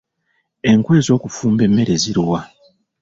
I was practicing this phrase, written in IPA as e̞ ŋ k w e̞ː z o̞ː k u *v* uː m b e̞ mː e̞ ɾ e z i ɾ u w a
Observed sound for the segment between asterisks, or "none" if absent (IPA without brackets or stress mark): f